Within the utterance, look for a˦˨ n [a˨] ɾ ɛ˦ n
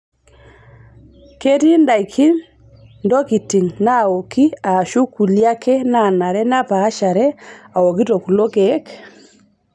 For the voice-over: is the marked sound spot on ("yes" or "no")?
yes